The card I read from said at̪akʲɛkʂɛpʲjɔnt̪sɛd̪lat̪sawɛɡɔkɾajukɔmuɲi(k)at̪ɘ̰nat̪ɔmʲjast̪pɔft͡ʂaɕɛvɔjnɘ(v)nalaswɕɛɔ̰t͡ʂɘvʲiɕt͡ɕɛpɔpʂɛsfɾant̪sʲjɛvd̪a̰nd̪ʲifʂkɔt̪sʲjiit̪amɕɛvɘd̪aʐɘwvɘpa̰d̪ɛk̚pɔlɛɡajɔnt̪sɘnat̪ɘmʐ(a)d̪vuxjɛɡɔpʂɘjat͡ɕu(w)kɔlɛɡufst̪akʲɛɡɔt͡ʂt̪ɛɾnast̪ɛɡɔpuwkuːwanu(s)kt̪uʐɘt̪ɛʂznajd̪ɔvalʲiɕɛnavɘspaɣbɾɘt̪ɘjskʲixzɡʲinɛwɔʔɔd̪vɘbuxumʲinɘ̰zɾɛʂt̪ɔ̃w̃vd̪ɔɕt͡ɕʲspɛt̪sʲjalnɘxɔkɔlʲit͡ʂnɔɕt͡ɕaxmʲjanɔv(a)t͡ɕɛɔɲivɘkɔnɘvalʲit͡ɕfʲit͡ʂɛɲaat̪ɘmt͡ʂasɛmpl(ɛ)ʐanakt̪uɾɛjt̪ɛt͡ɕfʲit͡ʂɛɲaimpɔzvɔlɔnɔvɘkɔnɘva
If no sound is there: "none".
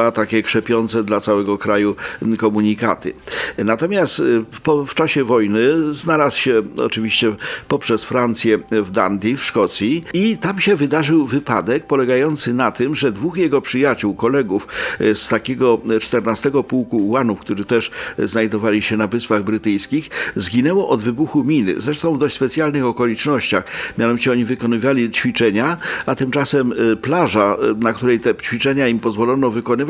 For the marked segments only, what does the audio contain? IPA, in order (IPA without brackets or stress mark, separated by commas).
k, z, ɛ, w, f, i, a